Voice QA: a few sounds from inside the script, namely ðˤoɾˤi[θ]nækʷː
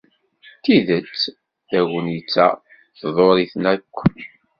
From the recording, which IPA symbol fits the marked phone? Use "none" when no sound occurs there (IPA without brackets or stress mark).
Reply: θ